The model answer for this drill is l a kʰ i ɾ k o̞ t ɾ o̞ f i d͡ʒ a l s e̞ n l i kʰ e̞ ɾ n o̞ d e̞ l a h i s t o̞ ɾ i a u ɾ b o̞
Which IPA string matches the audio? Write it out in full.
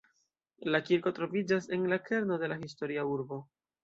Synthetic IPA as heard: l a k i ɾ k o̞ t ɾ o̞ v i d͡ʒ a s e̞ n l a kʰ e̞ ɾ n o̞ d e̞ l a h i s t o̞ ɾ i a u ɾ b o̞